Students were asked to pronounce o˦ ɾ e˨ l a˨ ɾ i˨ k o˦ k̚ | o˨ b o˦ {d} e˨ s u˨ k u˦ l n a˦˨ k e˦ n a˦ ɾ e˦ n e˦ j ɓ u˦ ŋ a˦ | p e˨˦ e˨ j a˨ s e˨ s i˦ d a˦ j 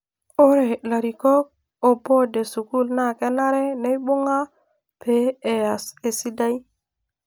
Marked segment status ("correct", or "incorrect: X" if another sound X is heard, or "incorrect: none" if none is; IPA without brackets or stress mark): correct